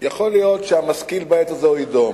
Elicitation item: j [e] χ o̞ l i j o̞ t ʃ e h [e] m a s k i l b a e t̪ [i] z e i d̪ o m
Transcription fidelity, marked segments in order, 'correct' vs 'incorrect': incorrect: a, incorrect: a, incorrect: a

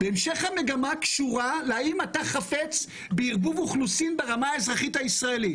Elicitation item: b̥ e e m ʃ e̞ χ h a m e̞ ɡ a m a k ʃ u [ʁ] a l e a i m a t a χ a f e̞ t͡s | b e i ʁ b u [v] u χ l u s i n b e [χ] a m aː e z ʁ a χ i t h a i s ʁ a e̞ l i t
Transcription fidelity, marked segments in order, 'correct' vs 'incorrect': correct, correct, incorrect: ʁ

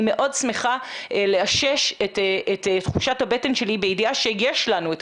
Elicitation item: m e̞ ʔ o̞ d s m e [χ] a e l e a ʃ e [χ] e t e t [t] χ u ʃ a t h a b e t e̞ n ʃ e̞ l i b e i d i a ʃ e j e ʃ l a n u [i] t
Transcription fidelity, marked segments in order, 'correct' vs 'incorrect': correct, incorrect: ʃ, correct, incorrect: e

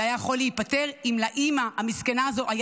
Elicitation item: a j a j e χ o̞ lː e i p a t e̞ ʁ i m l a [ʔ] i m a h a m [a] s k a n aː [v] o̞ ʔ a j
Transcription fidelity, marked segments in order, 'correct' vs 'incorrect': correct, incorrect: i, incorrect: z

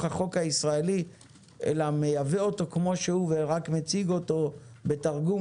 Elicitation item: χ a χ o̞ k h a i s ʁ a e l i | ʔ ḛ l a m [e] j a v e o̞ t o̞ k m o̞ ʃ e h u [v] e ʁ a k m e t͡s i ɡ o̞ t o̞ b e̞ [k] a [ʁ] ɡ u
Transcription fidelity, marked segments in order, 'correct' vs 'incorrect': correct, correct, incorrect: t, correct

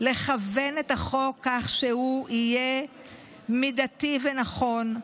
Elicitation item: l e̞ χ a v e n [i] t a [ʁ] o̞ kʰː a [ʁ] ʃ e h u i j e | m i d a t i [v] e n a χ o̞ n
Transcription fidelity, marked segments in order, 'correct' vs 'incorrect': incorrect: e, incorrect: χ, incorrect: χ, correct

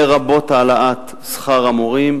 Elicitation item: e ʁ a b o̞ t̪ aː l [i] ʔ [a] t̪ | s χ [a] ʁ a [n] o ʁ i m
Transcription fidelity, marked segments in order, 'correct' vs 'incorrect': incorrect: a, correct, correct, incorrect: m

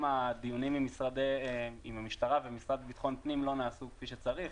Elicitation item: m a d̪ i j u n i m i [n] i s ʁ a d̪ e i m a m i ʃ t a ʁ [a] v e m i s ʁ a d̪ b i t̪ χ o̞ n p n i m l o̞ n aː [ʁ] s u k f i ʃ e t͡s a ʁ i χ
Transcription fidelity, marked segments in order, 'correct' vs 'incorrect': incorrect: m, correct, incorrect: none

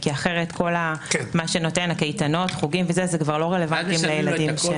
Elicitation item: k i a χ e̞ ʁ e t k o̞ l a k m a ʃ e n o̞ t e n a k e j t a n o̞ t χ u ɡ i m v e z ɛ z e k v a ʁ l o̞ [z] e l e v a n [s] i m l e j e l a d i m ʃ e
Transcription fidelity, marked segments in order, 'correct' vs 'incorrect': incorrect: ʁ, incorrect: t

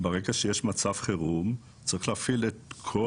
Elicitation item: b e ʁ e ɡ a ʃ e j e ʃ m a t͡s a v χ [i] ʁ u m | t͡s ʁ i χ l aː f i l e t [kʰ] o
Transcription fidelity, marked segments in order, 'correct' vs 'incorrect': incorrect: e, correct

